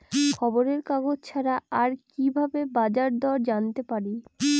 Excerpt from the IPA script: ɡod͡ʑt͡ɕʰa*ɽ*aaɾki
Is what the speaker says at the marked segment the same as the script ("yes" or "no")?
no